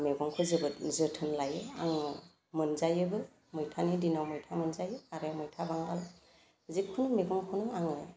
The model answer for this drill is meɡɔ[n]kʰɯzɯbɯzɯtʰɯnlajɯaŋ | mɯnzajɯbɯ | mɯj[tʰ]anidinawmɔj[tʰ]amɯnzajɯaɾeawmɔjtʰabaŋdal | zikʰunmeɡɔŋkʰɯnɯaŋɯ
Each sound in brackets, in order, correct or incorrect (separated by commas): incorrect, correct, correct